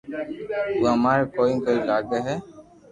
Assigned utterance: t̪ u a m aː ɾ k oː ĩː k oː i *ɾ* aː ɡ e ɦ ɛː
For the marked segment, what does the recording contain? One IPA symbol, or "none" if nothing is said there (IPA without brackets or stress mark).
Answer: l